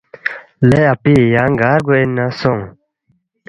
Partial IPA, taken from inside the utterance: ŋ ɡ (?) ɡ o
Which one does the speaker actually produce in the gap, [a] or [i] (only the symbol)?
a